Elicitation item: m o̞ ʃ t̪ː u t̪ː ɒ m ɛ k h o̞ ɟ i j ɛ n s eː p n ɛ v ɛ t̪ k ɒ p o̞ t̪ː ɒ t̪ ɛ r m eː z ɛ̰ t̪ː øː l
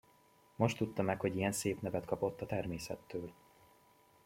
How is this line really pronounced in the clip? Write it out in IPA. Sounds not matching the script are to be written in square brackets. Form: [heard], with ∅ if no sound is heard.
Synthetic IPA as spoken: m o̞ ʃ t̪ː u t̪ː ɒ m ɛ k h o̞ ɟ i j ɛ n s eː p n ɛ v ɛ t̪ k ɒ p o̞ t̪ː ɒ t̪ ɛ r m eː [s] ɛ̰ t̪ː øː l